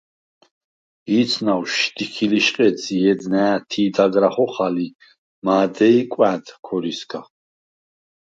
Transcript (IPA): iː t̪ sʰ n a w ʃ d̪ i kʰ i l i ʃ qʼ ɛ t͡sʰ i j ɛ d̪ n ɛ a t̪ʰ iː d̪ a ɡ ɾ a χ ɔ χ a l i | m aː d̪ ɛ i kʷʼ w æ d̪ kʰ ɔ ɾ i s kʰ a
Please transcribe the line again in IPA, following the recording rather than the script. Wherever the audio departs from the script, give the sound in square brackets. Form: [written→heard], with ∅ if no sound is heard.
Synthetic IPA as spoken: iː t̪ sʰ n a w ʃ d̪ i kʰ i l i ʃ qʼ ɛ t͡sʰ i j ɛ d̪ n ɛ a t̪ʰ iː d̪ a ɡ ɾ a χ ɔ χ a l i | m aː d̪ ɛ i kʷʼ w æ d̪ kʰ ɔ ɾ i s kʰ a